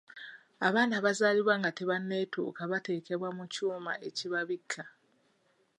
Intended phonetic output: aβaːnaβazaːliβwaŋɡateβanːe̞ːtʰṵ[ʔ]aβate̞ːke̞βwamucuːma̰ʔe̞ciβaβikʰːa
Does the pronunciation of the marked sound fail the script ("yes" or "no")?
yes